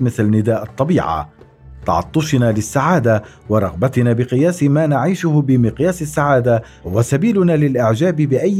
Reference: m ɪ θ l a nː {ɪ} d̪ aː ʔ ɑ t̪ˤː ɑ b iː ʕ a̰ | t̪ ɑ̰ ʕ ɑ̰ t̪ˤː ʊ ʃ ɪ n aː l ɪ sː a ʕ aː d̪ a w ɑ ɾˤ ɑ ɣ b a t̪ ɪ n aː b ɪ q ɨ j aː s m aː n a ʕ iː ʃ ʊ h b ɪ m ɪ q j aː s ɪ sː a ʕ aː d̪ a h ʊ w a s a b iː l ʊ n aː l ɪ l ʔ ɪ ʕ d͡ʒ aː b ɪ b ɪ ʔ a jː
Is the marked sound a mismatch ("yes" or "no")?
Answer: no